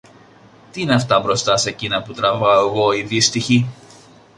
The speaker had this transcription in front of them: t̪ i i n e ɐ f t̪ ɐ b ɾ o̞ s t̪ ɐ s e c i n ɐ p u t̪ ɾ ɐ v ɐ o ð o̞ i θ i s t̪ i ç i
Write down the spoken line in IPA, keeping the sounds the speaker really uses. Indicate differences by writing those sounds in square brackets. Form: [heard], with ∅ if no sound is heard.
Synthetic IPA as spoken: t̪ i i n e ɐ f t̪ ɐ b ɾ o̞ s t̪ ɐ s e c i n ɐ p u t̪ ɾ ɐ v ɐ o [ɣ] o̞ i [ð] i s t̪ i ç i